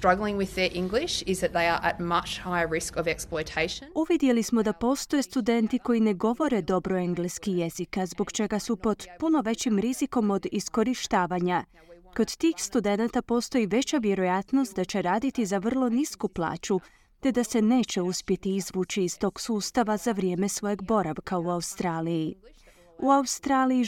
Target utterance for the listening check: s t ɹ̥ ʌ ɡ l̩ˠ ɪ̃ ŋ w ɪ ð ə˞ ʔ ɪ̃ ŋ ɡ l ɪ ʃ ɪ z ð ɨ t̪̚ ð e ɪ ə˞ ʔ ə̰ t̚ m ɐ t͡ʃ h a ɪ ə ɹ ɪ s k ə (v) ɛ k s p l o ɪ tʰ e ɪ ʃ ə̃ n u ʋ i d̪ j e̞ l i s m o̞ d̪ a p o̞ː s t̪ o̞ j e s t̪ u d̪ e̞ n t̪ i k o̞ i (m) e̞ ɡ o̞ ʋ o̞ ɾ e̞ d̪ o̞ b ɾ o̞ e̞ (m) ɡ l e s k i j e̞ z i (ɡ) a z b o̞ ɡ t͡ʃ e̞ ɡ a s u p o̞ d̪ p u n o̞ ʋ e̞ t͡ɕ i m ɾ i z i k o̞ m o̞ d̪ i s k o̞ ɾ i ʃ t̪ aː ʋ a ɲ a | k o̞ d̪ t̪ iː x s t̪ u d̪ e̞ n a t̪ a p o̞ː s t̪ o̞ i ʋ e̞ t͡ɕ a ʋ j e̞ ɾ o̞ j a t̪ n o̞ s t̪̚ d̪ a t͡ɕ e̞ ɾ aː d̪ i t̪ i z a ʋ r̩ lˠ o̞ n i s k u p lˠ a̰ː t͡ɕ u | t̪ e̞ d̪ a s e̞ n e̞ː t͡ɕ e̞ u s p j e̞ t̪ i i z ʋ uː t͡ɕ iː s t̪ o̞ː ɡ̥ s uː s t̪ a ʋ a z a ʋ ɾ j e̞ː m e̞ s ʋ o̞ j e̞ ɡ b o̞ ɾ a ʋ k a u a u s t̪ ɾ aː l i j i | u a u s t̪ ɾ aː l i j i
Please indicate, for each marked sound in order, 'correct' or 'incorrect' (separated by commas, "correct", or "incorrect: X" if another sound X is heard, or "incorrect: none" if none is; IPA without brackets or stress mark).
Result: correct, incorrect: n, incorrect: ŋ, incorrect: k